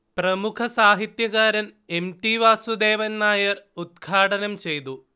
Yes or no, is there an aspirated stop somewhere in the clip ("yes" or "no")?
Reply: yes